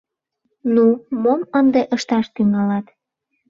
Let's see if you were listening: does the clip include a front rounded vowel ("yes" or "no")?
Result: yes